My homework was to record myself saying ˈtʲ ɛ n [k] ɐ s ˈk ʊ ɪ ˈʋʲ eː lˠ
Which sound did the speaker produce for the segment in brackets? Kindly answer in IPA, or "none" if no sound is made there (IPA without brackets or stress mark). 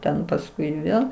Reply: p